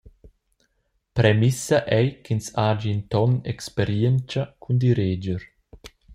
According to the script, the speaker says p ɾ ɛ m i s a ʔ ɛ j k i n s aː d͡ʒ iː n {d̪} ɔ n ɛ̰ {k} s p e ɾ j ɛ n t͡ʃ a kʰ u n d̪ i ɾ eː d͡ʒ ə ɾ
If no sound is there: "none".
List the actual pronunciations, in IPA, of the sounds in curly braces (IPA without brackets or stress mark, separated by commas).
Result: t̪, k